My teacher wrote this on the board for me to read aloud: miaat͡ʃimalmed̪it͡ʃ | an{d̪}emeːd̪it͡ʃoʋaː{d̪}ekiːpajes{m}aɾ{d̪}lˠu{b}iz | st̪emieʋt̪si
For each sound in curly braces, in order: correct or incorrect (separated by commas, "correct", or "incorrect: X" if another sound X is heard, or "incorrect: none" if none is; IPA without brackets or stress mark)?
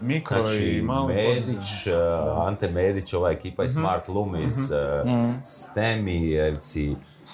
incorrect: t̪, incorrect: none, correct, incorrect: t̪, incorrect: m